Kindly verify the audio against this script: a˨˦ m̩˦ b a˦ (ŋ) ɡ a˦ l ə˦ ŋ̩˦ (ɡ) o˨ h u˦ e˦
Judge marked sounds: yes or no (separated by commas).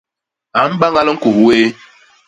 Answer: yes, no